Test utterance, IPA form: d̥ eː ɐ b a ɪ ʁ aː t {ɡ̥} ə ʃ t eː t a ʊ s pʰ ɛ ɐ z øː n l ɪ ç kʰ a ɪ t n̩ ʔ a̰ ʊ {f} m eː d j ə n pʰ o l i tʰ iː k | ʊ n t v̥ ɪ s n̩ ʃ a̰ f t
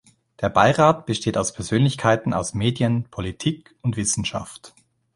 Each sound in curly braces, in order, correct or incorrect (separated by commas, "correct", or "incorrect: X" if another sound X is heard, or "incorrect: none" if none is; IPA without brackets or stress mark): incorrect: b̥, incorrect: s